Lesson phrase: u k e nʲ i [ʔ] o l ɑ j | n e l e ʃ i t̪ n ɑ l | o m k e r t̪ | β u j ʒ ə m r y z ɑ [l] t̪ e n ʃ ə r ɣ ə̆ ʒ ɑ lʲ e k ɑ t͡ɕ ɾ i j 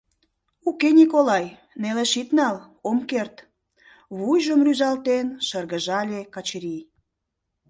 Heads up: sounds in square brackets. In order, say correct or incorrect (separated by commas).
incorrect, correct